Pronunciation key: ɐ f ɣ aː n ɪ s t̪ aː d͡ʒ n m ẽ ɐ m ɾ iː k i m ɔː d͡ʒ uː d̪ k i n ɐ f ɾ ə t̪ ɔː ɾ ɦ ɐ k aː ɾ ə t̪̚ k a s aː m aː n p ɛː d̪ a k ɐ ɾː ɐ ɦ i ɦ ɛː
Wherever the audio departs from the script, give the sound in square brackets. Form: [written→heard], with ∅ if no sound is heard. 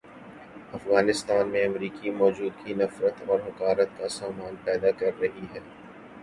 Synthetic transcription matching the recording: ɐ f ɣ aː n ɪ s t̪ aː [d͡ʒ→∅] n m ẽ ɐ m ɾ iː k i m ɔː d͡ʒ uː d̪ k i n ɐ f ɾ ə t̪ ɔː ɾ ɦ ɐ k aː ɾ ə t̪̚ k a s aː m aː n p ɛː d̪ a k ɐ ɾː ɐ ɦ i ɦ ɛː